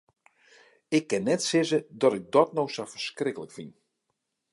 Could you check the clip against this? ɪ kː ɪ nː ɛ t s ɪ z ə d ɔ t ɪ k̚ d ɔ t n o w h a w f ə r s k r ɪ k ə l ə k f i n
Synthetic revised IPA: ɪ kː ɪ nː ɛ t s ɪ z ə d ɔ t ɪ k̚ d ɔ t n o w s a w f ə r s k r ɪ k ə l ə k f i n